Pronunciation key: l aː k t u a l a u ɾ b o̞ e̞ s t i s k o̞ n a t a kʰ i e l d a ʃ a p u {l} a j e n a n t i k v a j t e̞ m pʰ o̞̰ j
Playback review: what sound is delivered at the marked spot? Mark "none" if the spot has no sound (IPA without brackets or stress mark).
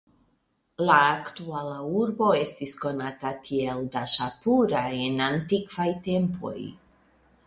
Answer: ɾ